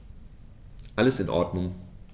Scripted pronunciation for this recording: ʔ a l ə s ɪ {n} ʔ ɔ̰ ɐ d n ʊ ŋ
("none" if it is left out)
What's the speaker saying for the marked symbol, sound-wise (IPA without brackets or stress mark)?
n